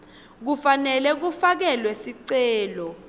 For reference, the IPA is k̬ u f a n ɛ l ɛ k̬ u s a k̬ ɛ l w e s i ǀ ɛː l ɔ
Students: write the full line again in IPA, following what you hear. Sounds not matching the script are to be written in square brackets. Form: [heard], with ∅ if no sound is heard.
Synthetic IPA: k̬ u f a n ɛ l ɛ k̬ u [f] a k̬ ɛ l w e s i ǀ ɛː l ɔ